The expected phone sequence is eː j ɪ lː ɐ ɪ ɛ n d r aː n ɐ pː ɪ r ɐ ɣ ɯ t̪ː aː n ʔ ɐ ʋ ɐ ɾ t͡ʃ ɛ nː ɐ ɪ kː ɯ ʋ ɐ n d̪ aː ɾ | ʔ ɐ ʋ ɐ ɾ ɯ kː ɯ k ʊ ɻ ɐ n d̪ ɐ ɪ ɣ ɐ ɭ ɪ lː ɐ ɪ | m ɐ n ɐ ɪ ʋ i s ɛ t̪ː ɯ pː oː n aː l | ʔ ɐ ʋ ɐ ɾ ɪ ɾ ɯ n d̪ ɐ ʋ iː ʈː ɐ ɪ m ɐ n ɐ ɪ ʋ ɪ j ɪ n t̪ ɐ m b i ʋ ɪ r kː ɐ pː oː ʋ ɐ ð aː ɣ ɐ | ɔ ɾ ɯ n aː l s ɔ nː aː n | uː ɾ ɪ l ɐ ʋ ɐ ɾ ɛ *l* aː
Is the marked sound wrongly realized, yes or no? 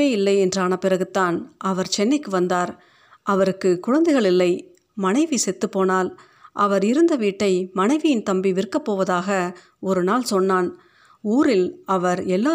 yes